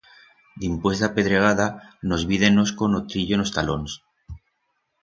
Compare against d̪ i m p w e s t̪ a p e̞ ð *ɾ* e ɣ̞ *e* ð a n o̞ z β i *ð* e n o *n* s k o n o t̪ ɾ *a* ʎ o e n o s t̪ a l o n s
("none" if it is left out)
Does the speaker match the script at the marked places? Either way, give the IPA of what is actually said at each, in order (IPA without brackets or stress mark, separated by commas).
ɾ, a, ð, none, i